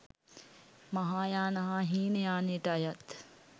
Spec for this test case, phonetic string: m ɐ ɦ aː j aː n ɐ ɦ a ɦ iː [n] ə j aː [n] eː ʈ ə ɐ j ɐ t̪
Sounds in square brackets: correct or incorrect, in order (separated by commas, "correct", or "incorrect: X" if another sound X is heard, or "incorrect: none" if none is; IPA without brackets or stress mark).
correct, correct